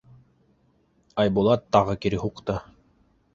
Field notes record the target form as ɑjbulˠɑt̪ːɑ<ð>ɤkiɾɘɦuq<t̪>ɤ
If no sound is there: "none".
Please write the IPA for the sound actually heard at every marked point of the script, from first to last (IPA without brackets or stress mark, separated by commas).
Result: ʁ, t̪